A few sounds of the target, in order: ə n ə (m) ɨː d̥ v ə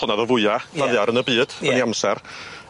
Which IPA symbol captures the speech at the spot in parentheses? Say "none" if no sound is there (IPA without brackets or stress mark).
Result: b